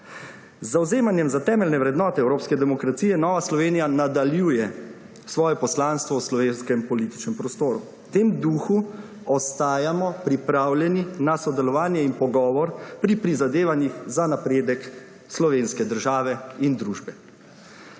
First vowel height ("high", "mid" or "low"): low